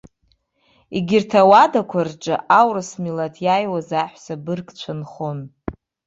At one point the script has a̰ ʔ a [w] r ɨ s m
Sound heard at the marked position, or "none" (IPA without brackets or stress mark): w